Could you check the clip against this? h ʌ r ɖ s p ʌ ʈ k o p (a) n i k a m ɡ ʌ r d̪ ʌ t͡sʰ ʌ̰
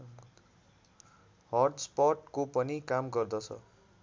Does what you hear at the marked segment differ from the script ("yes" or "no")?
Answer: yes